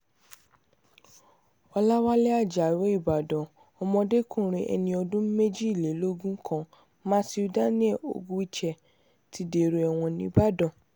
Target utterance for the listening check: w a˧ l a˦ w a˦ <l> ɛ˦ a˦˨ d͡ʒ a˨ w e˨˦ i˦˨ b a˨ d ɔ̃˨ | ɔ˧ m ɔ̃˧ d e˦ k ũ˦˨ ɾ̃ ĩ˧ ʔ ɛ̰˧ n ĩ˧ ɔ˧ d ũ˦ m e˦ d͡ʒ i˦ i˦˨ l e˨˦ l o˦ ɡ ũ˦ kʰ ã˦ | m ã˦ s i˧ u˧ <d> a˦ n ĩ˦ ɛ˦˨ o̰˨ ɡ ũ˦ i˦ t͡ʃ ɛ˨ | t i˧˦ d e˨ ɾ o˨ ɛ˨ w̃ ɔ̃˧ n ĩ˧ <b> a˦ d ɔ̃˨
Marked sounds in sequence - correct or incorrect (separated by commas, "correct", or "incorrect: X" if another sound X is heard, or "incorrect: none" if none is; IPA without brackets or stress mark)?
correct, correct, correct